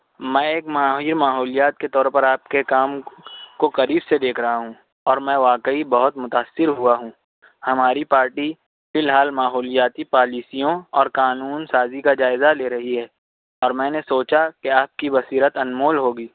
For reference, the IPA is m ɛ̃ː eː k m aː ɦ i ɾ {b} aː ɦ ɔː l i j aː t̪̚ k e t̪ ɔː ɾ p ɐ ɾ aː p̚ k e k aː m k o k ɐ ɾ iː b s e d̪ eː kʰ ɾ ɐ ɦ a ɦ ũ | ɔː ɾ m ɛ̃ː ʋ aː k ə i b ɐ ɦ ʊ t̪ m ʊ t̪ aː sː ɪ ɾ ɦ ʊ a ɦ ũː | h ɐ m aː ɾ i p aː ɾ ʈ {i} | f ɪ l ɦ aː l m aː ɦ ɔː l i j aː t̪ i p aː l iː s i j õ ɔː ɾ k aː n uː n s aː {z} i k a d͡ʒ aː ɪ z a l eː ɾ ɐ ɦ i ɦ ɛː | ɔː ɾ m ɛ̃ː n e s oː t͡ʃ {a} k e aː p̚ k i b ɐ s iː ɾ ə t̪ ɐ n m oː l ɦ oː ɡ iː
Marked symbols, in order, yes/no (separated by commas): no, yes, yes, yes